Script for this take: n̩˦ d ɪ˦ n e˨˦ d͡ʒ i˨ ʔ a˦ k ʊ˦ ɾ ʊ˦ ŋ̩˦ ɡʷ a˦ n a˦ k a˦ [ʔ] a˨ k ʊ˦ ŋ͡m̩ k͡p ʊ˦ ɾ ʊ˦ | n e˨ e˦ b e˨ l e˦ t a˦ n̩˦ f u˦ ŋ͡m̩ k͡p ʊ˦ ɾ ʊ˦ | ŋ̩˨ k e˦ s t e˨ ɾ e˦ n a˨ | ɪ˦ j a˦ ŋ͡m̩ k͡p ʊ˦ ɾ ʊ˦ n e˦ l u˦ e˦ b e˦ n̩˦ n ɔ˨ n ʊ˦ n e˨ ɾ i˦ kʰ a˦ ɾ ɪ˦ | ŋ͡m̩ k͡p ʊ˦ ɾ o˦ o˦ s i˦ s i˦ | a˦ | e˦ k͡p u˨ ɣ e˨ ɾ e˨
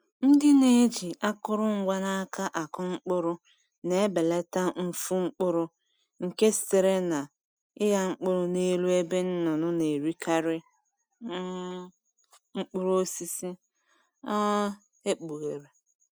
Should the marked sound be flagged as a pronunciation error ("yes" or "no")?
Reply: no